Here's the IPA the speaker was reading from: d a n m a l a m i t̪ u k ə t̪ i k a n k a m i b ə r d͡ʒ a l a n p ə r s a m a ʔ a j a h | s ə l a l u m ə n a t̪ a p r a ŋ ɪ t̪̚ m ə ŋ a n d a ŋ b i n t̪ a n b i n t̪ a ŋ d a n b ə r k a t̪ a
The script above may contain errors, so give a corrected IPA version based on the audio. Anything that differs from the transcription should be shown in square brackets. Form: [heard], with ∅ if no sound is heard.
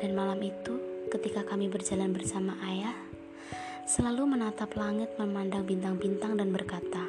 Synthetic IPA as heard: d a n m a l a m i t̪ u k ə t̪ i k a [∅] k a m i b ə r d͡ʒ a l a n [b] ə r s a m a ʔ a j a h | s ə l a l u m ə n a t̪ a p [l] a ŋ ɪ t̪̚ m ə [m] a n d a ŋ b i n t̪ a [ŋ] b i n t̪ a ŋ d a n b ə r k a t̪ a